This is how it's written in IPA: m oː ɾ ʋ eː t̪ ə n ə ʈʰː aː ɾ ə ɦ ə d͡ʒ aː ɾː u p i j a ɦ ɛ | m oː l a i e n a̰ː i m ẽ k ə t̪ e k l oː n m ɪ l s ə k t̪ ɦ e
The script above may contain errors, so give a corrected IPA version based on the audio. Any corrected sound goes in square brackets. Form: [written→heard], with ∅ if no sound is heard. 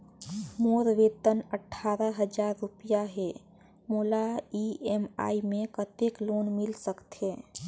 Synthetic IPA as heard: m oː ɾ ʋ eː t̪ ə n ə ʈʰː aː ɾ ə ɦ ə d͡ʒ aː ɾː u p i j a ɦ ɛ | m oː l a i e [n→m] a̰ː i m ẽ k ə t̪ e k l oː n m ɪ l s ə k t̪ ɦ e